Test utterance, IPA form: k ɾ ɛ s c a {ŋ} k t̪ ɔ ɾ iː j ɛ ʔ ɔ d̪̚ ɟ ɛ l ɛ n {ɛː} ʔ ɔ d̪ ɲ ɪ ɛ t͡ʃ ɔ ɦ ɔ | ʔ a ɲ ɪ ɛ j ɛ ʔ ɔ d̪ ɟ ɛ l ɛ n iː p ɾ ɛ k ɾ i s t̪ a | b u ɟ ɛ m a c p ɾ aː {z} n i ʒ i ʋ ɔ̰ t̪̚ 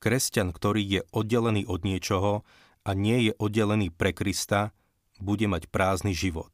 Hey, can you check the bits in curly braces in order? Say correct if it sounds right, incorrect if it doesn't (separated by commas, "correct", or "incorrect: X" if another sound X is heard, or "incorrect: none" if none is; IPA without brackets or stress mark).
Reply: incorrect: n, incorrect: iː, correct